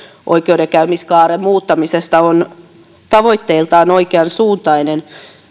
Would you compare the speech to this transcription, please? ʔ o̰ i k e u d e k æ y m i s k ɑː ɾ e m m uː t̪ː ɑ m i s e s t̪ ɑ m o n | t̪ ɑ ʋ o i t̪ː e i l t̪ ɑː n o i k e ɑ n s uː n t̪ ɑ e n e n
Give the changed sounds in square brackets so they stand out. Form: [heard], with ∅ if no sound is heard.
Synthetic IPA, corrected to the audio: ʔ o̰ i k e u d e k æ y m i s k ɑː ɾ e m m uː t̪ː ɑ m i s e s t̪ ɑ [∅] o n | t̪ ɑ ʋ o i t̪ː e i l t̪ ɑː n o i k e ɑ n s uː n t̪ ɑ [i] n e n